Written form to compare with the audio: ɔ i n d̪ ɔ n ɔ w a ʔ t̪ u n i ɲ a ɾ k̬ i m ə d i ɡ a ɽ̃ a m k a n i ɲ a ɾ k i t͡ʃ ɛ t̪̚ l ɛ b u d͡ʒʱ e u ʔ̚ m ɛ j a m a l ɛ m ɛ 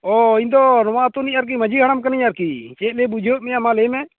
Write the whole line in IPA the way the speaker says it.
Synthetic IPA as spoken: ɔ i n d̪ ɔ n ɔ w a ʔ t̪ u n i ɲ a ɾ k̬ i m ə d͡ʒ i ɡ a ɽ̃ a m k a n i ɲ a ɾ k i t͡ʃ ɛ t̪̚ l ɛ b u d͡ʒʱ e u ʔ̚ m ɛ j a m a l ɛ m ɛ